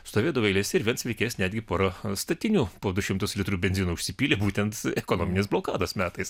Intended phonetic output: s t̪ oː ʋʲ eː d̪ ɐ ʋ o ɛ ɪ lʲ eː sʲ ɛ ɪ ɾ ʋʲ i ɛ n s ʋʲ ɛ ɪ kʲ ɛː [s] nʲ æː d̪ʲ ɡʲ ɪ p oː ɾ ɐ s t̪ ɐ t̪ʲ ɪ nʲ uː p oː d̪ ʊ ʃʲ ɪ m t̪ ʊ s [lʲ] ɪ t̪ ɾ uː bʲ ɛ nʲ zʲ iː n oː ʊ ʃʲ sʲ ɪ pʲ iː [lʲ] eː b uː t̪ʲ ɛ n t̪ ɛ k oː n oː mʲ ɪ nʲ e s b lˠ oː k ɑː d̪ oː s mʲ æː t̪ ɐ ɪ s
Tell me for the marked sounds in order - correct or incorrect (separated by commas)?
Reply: correct, correct, correct